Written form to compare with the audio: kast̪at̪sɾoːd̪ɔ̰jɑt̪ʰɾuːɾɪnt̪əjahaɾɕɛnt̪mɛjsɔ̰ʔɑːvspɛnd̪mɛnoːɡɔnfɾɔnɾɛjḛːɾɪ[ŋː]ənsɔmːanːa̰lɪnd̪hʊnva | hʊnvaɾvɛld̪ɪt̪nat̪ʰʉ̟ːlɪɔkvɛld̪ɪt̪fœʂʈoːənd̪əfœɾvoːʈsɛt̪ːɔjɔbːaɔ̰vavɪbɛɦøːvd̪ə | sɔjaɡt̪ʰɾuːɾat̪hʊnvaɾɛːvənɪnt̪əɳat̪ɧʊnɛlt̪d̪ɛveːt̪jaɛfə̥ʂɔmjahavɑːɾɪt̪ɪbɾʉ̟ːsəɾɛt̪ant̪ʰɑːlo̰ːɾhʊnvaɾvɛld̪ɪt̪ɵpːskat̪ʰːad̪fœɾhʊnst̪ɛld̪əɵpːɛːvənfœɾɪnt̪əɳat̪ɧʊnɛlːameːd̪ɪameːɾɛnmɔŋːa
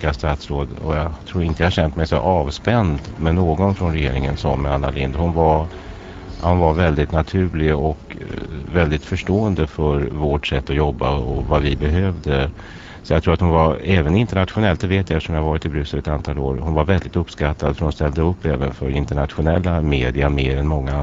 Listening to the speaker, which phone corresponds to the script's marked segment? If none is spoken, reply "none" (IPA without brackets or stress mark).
ŋ